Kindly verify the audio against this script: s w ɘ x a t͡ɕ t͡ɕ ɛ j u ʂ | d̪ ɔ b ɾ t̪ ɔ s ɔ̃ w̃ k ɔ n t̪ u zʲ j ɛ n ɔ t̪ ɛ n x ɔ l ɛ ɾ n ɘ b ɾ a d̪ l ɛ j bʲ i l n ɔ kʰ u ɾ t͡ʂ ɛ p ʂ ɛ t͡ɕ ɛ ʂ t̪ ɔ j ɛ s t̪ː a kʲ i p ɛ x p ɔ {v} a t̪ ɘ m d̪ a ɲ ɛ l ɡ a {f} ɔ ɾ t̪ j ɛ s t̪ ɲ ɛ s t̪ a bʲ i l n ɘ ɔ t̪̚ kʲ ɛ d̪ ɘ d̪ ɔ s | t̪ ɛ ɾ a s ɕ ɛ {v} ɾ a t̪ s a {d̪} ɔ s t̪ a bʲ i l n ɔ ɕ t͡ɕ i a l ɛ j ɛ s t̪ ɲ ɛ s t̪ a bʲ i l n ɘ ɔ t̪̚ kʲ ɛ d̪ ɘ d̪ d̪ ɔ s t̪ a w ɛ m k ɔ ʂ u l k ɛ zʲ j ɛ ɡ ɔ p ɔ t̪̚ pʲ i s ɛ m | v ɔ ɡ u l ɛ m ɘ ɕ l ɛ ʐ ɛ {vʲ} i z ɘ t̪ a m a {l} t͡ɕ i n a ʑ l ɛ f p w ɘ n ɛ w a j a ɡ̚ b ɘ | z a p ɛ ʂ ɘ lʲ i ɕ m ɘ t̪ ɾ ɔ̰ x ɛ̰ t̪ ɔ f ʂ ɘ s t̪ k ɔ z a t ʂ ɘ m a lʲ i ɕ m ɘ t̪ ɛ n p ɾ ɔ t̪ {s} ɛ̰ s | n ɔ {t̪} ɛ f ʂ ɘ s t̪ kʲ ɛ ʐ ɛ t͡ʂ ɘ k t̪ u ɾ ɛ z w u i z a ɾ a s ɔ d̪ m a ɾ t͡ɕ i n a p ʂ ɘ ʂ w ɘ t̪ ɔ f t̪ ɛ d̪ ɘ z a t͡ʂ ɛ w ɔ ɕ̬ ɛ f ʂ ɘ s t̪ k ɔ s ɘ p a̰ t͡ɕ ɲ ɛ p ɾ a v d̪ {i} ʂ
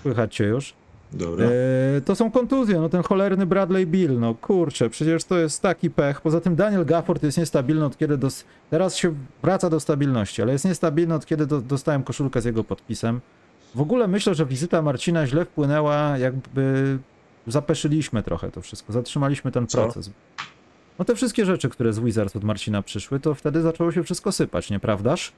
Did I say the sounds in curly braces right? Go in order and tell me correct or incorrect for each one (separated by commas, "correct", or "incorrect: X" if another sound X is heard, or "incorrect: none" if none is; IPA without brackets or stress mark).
incorrect: z, correct, correct, correct, correct, incorrect: ɾ, correct, correct, incorrect: a